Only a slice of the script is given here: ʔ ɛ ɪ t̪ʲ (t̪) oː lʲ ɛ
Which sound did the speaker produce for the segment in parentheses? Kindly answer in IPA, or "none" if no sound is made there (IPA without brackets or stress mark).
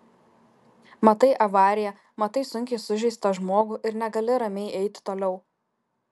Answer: t̪